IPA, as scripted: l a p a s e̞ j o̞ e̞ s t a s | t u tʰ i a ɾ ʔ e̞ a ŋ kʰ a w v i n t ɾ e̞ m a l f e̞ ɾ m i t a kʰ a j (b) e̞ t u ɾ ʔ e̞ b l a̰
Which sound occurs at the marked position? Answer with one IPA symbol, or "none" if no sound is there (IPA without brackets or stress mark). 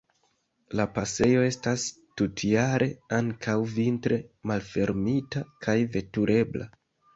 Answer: v